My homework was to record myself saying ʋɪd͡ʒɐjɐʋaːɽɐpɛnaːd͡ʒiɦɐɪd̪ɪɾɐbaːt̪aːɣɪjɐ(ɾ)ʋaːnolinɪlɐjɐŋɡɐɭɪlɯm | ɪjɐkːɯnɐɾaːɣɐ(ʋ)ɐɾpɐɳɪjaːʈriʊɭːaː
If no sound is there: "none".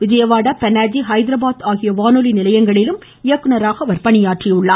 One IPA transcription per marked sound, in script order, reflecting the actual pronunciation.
none, ʋ

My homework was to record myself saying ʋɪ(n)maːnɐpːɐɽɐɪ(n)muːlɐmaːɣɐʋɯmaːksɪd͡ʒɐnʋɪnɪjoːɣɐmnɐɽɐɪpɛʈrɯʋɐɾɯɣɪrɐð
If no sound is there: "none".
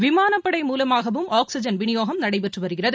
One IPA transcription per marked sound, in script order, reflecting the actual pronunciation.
none, none

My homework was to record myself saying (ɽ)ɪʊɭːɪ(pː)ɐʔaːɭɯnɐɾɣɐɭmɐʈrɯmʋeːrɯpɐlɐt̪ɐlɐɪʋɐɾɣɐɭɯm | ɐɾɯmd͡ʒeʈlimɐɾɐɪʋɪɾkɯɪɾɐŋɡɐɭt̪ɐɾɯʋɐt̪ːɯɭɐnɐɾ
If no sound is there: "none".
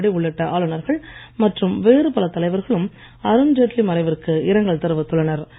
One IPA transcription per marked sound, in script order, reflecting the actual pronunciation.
ɽ, ʈː

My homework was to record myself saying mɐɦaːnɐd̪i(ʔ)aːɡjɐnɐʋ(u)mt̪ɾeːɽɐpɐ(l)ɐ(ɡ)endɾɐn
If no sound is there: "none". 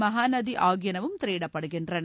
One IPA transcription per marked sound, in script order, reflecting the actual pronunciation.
ʔ, u, ɽ, ɡ

